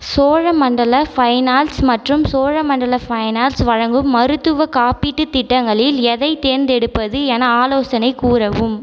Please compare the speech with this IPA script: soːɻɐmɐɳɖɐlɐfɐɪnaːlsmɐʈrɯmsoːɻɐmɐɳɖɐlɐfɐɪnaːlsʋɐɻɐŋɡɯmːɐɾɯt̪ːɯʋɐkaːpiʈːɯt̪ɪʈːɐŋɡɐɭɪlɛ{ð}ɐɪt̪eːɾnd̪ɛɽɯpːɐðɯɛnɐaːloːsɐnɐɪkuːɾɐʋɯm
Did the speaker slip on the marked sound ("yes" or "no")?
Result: no